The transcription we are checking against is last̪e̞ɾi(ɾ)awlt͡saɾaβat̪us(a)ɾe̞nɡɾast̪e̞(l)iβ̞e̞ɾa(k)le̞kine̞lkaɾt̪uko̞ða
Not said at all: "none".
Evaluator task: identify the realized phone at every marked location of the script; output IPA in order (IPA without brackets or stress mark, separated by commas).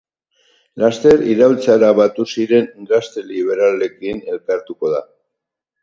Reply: ɾ, i, l, none